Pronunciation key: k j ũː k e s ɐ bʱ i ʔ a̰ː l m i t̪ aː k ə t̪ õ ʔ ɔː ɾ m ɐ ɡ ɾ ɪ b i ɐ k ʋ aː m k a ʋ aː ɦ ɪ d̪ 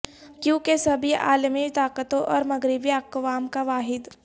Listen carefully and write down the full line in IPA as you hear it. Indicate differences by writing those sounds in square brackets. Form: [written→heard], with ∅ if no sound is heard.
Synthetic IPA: k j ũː k e s ɐ bʱ i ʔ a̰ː l m i t̪ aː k ə t̪ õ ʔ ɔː ɾ m ɐ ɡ ɾ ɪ b i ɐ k ʋ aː m k a ʋ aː ɦ ɪ d̪